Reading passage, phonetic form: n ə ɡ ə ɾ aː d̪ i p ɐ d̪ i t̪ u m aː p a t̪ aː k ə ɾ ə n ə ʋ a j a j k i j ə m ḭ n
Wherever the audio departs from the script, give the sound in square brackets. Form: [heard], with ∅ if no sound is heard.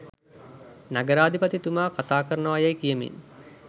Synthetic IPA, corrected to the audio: n [a] ɡ ə ɾ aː d̪ i p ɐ [t̪] i t̪ u m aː [k] a t̪ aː k ə ɾ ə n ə ʋ a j a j k i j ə m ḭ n